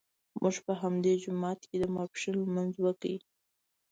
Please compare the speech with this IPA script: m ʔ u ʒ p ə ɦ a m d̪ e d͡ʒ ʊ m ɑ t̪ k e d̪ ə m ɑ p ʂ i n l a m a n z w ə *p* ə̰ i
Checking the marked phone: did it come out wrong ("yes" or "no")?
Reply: yes